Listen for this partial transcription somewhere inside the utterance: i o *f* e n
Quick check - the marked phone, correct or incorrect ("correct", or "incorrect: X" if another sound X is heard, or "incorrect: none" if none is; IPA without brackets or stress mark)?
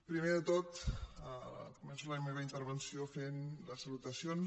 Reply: correct